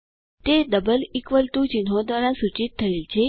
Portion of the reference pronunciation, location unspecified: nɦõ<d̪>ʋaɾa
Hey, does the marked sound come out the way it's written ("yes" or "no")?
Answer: yes